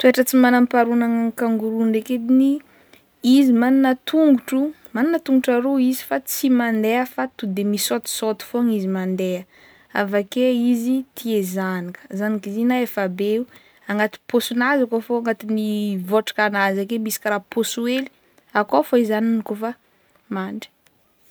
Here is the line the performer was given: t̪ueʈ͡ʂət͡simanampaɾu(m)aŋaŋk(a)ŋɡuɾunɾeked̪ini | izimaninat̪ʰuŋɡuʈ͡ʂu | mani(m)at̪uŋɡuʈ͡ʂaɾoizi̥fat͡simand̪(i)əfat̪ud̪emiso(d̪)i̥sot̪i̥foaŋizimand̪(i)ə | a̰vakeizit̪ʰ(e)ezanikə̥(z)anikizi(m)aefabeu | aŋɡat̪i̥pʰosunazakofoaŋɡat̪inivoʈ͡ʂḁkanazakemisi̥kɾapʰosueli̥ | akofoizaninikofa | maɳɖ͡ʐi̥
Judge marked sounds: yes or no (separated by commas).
no, yes, no, no, no, no, no, yes, no